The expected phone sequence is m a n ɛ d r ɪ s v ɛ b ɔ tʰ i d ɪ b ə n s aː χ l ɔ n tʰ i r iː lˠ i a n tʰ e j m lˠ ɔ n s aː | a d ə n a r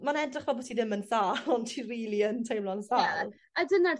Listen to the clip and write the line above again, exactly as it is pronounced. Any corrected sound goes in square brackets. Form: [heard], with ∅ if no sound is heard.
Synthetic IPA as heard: m a n ɛ d r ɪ [χ] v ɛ b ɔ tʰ i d ɪ [m] ə n s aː [∅] l ɔ n tʰ i r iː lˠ i [ə] n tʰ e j m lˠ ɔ n s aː | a d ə n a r

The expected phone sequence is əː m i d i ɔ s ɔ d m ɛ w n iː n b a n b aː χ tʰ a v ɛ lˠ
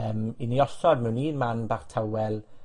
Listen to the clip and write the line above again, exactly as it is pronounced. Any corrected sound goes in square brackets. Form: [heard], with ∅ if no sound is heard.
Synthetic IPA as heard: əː m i [n] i ɔ s ɔ d m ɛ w n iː n [m] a n b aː χ tʰ a [w] ɛ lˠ

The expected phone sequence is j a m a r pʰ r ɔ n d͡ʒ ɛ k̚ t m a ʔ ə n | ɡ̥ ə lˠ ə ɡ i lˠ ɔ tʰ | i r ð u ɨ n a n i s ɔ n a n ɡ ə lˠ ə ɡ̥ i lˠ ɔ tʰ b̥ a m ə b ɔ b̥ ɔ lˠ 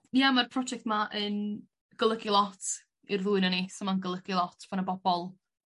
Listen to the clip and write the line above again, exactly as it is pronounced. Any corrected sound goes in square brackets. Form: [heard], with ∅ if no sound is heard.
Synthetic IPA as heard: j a m a r pʰ r ɔ [∅] d͡ʒ ɛ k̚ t m a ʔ ə n | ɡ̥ ə lˠ ə ɡ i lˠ ɔ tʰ | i r ð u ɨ n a n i s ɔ [m] a n ɡ ə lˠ ə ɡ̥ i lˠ ɔ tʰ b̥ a [n] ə b ɔ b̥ ɔ lˠ

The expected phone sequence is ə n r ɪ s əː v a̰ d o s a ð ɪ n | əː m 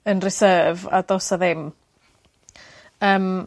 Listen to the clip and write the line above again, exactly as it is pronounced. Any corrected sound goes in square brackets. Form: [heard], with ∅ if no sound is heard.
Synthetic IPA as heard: ə n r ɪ s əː v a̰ d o s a ð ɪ [m] | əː m

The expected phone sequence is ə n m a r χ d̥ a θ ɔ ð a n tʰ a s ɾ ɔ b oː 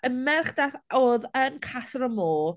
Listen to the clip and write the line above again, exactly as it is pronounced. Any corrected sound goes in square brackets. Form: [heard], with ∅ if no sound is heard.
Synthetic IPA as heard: ə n m [ɛ] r χ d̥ a θ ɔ ð [ə] n [kʰ] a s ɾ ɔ [m] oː

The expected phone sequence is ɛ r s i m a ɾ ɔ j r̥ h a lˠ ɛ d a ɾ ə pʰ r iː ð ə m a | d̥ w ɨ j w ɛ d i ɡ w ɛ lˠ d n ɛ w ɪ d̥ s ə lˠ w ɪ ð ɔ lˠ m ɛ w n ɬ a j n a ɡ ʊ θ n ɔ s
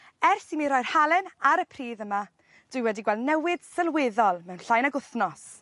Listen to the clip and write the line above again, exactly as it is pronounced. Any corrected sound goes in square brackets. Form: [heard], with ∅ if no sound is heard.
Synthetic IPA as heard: ɛ r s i m [i] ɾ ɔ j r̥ h a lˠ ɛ [n] a ɾ ə pʰ r iː ð ə m a | d̥ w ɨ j w ɛ d i ɡ w ɛ lˠ d n ɛ w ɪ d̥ s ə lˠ w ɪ ð ɔ lˠ m ɛ w n ɬ a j n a ɡ ʊ θ n ɔ s

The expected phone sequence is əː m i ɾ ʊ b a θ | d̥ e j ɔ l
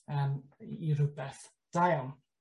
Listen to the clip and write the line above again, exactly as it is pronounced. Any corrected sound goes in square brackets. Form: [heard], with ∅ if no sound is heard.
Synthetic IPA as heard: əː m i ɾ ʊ b [ɛ] θ | d̥ [a] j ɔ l

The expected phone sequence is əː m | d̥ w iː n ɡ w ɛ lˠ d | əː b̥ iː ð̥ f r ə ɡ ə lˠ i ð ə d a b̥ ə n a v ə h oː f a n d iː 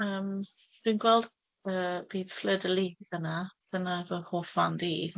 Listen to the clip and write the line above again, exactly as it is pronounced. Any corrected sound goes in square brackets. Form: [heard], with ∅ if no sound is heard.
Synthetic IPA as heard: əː m | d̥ w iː n ɡ w ɛ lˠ d | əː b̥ iː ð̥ f [l] ə [d] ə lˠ i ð ə [n] a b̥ ə n a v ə h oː f a n d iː

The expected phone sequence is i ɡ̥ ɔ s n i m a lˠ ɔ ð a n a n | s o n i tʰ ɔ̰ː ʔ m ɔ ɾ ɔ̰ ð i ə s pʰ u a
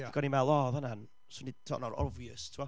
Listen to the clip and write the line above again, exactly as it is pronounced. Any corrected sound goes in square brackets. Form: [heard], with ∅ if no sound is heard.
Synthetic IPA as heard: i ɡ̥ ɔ [∅] n i m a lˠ ɔ ð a n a n | s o n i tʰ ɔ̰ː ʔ [n] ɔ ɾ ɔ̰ [v] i ə s [tʰ] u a

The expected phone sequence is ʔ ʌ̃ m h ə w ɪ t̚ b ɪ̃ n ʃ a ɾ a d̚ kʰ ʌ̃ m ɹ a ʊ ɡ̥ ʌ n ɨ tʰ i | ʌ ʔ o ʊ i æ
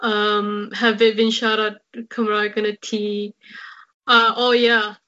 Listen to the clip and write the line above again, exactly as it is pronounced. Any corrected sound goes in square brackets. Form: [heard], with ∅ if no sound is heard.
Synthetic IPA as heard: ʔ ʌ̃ m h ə [v] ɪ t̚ b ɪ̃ n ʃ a ɾ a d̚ kʰ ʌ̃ m ɹ a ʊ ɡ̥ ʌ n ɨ tʰ i | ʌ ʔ o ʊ [j] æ

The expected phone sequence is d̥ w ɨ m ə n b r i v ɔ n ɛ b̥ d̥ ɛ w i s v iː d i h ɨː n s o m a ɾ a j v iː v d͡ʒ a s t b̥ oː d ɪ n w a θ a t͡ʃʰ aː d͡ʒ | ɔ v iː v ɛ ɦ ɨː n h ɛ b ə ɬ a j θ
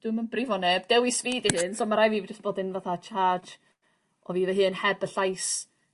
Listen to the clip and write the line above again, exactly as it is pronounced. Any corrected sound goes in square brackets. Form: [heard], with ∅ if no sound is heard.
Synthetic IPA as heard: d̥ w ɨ m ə n b r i v ɔ n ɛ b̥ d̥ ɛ w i s v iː d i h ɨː n s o m a ɾ a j v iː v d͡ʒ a s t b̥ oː d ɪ n [v] a θ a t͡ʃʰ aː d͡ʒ | ɔ v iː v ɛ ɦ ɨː n h ɛ b ə ɬ a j [s]

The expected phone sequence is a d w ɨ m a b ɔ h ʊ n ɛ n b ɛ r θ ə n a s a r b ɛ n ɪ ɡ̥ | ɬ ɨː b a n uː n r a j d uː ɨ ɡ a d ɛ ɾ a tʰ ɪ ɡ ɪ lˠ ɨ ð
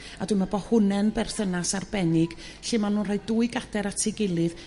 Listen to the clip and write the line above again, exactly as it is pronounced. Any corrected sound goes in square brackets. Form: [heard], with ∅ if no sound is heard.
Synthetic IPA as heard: a d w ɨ m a b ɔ h ʊ n ɛ n b ɛ r θ ə n a s a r b ɛ n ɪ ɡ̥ | ɬ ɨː [m] a n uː n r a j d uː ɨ ɡ a d ɛ ɾ a tʰ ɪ ɡ ɪ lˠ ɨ ð

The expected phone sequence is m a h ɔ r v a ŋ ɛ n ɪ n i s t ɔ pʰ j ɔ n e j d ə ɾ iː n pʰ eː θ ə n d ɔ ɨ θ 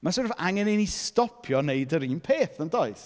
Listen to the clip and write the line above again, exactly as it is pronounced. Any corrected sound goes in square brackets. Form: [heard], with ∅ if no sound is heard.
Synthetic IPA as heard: m a [s] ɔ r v a ŋ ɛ n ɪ n i s t ɔ pʰ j ɔ n e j d ə ɾ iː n pʰ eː θ ə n d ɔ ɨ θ

